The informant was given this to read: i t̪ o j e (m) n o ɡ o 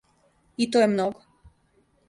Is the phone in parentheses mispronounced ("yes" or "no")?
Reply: no